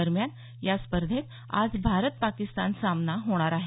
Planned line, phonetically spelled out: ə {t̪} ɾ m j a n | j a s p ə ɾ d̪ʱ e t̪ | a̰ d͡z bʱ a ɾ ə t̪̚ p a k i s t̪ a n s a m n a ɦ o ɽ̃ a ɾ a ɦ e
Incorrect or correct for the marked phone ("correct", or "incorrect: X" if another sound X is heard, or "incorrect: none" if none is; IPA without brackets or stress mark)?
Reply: incorrect: none